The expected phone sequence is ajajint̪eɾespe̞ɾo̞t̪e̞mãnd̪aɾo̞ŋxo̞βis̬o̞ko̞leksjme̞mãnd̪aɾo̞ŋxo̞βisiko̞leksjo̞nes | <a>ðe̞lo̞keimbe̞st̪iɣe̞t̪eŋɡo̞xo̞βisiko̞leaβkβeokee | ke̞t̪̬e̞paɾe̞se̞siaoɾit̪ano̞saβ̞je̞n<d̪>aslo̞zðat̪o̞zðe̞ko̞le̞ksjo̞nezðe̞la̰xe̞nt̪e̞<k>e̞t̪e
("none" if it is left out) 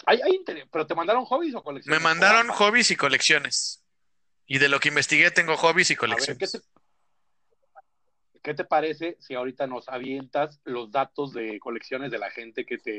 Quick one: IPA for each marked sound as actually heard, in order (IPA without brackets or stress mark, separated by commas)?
i, t̪, k